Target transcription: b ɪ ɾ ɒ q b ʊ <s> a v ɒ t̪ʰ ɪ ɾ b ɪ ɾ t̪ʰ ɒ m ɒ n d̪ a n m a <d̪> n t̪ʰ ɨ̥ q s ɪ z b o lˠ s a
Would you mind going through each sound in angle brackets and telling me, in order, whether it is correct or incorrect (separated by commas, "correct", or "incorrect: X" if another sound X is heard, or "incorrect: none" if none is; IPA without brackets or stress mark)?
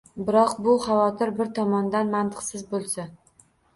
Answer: incorrect: χ, incorrect: none